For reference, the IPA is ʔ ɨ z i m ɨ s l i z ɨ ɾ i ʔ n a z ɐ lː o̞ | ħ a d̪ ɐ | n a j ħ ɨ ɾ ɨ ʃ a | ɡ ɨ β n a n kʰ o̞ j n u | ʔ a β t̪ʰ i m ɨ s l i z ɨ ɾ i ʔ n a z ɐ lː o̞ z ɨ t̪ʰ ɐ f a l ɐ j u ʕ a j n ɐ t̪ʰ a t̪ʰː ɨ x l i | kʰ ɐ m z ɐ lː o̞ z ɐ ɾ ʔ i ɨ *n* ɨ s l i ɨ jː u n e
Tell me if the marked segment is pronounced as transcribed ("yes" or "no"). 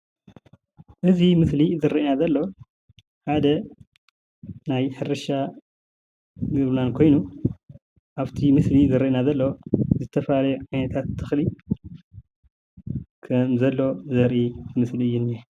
no